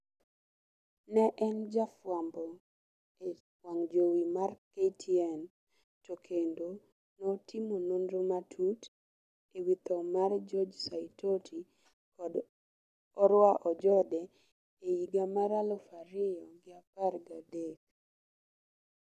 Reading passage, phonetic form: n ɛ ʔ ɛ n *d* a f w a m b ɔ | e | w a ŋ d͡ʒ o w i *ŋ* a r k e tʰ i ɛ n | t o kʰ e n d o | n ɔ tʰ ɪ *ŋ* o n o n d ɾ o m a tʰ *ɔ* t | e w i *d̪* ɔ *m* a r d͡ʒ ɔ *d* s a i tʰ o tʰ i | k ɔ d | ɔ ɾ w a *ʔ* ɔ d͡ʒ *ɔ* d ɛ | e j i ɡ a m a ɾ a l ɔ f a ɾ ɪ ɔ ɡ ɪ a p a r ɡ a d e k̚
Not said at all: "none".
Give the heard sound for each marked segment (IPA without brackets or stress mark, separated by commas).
d͡ʒ, m, m, u, t̪, m, d͡ʒ, ʔ, ɔ